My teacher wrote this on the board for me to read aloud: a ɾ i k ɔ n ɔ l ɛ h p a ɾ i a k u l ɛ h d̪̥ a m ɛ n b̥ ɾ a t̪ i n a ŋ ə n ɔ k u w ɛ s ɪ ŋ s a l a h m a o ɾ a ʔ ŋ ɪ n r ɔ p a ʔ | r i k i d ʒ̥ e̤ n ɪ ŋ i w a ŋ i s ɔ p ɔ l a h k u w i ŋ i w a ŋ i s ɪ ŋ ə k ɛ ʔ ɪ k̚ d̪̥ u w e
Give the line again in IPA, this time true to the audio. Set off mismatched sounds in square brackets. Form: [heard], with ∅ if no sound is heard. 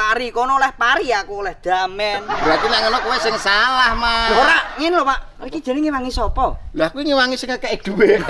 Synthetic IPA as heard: a ɾ i k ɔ n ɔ l ɛ h p a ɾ i a k u l ɛ h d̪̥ a m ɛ n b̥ ɾ a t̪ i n a ŋ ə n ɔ k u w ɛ s ɪ ŋ s a l a h m a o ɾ a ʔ ŋ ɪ n [l] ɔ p a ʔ | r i k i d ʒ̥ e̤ n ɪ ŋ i w a ŋ i s ɔ p ɔ l a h k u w i ŋ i w a ŋ i s ɪ ŋ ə k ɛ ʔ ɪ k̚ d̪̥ u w e

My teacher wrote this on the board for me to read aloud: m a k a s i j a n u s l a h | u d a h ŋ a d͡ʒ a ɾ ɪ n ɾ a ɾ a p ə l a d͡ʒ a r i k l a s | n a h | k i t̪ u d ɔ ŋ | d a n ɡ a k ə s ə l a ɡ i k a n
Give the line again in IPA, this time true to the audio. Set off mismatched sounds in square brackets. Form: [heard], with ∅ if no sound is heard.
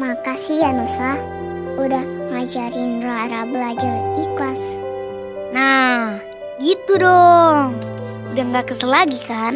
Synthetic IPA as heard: m a k a s i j a n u s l a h | u d a h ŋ a d͡ʒ a ɾ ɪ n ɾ a ɾ a [b] ə l a d͡ʒ a r i k l a s | n a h | [ɡ] i t̪ u d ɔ ŋ | d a [ŋ] ɡ a k ə s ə l a ɡ i k a n

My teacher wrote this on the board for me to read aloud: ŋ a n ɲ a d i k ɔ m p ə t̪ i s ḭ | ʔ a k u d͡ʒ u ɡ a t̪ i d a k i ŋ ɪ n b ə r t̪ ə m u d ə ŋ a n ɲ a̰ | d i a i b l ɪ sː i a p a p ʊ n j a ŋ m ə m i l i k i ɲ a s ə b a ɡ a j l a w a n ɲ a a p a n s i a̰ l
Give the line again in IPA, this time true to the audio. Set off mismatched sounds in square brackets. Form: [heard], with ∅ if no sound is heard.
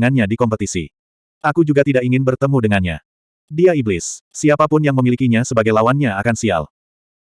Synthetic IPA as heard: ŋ a n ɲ a d i k ɔ m p ə t̪ i s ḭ | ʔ a k u d͡ʒ u ɡ a t̪ i d a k i ŋ ɪ n b ə r t̪ ə m u d ə ŋ a n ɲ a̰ | d i a i b l ɪ sː i a p a p ʊ n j a ŋ m ə m i l i k i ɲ a s ə b a ɡ a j l a w a n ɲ a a [k] a n s i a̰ l

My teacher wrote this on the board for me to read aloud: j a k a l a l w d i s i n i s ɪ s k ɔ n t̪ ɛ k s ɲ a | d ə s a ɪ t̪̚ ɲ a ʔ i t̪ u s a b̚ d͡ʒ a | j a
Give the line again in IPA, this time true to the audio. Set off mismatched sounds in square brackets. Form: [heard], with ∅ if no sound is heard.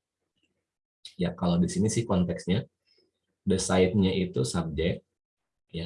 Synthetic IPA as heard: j a k a l a [∅] w d i s i n i s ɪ [h] k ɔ n t̪ ɛ k s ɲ a | d ə s a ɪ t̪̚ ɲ a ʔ i t̪ u s a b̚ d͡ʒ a | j a

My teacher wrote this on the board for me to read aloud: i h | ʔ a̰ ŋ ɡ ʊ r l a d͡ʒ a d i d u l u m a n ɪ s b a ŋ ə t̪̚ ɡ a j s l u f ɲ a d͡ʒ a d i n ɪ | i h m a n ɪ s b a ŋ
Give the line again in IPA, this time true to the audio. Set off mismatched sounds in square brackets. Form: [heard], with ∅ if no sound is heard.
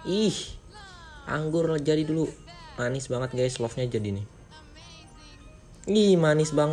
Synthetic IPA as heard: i h | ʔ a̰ ŋ ɡ ʊ r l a d͡ʒ a d i d u l u m a n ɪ s b a ŋ ə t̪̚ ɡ a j s l [ɔ] f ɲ a d͡ʒ a d i n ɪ | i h m a n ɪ s b a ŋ

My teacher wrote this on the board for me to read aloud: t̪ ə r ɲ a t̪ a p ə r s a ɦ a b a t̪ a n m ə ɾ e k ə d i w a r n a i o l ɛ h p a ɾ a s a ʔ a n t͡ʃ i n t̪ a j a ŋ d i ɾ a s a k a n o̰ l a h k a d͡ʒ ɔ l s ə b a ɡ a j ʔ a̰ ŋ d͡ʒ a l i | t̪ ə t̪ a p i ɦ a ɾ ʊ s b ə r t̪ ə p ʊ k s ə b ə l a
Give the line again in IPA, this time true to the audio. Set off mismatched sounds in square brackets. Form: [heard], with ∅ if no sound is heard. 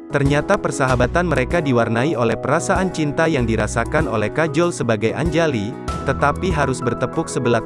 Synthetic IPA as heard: t̪ ə r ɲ a t̪ a p ə r s a ɦ a b a t̪ a n m ə ɾ e k [a] d i w a r n a i o l ɛ h p [ə] ɾ a s a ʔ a n t͡ʃ i n t̪ a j a ŋ d i ɾ a s a k a n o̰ l [ɛ] h k a d͡ʒ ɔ l s ə b a ɡ a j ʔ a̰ [ɲ] d͡ʒ a l i | t̪ ə t̪ a p i ɦ a ɾ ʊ s b ə r t̪ ə p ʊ k s ə b ə l a

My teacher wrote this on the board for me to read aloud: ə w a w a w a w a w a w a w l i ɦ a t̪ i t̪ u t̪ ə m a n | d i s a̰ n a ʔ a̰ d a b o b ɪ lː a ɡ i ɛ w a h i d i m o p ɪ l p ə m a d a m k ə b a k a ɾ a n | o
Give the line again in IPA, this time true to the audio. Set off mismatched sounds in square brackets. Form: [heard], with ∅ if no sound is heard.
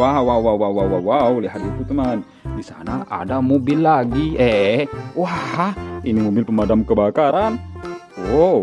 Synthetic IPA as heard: [a] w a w a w a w a w a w a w l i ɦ a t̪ i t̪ u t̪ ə m a n | d i s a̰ n a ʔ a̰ d a [m] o b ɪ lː a ɡ i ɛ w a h i [n] i m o [b] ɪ l p ə m a d a m k ə b a k a ɾ a n | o

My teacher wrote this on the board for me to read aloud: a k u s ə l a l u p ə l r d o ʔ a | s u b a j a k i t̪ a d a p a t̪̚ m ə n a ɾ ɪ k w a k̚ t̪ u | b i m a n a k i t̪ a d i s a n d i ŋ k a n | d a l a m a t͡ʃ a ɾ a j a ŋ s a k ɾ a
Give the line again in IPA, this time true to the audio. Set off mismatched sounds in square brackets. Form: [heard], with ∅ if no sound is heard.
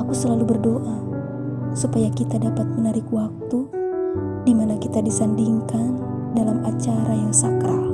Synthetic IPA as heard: a k u s ə l a l u [b] ə [∅] r d o ʔ a | s u [p] a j a k i t̪ a d a p a t̪̚ m ə n a ɾ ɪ k w a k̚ t̪ u | [d] i m a n a k i t̪ a d i s a n d i ŋ k a n | d a l a m a t͡ʃ a ɾ a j a ŋ s a k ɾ a

